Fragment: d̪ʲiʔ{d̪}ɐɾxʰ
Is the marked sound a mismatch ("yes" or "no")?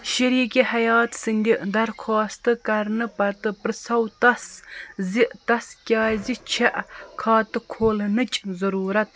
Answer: no